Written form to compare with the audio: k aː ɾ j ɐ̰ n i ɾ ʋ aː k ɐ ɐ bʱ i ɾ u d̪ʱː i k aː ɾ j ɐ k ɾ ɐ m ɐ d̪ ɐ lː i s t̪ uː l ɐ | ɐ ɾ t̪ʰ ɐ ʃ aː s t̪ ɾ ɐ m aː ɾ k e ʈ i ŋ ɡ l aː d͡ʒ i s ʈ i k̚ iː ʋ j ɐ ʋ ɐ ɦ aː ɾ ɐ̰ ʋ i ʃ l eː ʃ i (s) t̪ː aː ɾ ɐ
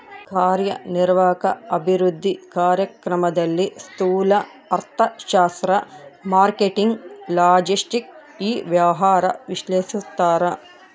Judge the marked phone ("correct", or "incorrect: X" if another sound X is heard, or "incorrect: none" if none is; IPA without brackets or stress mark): correct